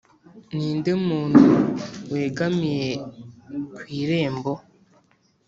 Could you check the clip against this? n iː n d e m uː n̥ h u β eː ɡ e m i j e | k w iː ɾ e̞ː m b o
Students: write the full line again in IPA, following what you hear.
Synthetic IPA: n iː n d e m uː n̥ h u w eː ɡ a m i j e | k w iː ɾ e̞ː m b o